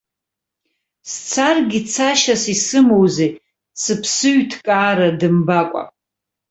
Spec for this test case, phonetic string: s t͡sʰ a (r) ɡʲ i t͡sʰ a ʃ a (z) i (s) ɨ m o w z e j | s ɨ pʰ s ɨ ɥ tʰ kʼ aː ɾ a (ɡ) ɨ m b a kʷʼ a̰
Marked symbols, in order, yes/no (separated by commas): yes, no, yes, no